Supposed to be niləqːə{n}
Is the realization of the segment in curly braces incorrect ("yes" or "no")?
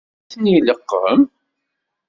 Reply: yes